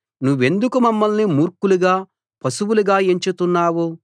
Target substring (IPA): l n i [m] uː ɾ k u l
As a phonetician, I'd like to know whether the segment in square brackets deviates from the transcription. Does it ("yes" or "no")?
no